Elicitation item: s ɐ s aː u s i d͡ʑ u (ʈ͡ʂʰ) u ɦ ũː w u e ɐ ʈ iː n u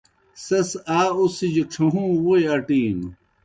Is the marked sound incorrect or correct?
correct